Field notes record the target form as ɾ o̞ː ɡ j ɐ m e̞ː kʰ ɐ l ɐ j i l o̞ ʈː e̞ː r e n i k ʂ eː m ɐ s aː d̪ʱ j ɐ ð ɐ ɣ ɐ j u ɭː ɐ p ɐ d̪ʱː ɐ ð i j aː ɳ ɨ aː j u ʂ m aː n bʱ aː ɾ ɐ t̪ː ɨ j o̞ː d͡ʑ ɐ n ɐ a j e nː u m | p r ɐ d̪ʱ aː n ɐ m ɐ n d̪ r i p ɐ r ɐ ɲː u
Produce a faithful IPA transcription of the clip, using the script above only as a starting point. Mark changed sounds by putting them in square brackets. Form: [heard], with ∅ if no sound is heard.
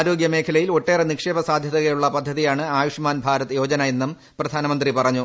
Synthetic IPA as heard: ɾ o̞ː ɡ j ɐ m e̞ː kʰ ɐ l ɐ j i l o̞ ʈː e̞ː r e n i k ʂ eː [b] ɐ s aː d̪ʱ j ɐ ð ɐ ɣ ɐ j u ɭː ɐ p ɐ d̪ʱː ɐ ð i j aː ɳ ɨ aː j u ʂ m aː n bʱ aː ɾ ɐ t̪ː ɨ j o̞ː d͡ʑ ɐ n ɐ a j e nː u m | p r ɐ d̪ʱ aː n ɐ m ɐ n d̪ r i p ɐ r ɐ ɲː u